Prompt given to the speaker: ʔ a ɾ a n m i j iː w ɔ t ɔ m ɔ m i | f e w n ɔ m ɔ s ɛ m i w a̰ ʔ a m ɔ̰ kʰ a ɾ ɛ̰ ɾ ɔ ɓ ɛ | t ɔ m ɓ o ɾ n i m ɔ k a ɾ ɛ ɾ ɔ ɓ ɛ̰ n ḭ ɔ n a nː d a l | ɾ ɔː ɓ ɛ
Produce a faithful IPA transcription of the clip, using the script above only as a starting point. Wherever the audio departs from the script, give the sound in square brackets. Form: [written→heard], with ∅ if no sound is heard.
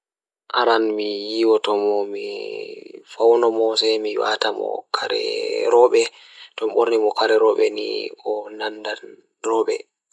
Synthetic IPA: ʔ a ɾ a n m i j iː w ɔ t ɔ m ɔ m i | f [e→a] w n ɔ m ɔ s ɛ m i w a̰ [ʔ→t] a m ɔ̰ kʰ a ɾ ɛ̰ ɾ ɔ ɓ ɛ | t ɔ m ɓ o ɾ n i m ɔ k a ɾ ɛ ɾ ɔ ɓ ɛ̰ n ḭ ɔ n a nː d a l | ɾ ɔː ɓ ɛ